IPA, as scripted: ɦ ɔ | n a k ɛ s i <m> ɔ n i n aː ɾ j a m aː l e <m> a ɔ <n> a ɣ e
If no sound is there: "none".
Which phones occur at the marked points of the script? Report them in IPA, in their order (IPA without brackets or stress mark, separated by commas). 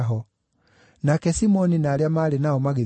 m, n, m